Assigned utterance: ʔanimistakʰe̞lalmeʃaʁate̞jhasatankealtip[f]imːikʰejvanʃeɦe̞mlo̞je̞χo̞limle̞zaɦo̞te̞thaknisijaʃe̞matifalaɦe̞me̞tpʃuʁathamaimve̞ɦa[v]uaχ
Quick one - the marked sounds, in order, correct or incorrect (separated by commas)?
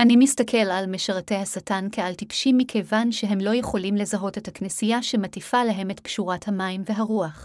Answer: incorrect, incorrect